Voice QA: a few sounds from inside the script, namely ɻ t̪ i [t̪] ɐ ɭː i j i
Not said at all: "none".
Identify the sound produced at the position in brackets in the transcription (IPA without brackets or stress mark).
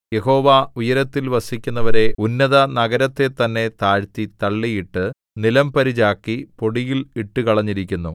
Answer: t̪